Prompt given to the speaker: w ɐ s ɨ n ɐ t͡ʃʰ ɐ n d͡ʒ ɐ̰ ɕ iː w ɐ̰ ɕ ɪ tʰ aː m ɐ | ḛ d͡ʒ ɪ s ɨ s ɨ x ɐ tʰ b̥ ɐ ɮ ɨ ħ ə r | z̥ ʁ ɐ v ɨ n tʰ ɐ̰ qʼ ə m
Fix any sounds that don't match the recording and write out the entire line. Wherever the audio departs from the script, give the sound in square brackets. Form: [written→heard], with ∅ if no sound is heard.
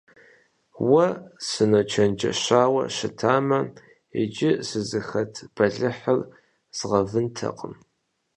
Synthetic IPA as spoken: w ɐ s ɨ n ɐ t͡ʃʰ ɐ n d͡ʒ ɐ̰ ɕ [iː→aː] w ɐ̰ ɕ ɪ tʰ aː m ɐ | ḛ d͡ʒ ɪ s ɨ [s→z] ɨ x ɐ tʰ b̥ ɐ ɮ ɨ ħ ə r | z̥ ʁ ɐ v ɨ n tʰ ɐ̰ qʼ ə m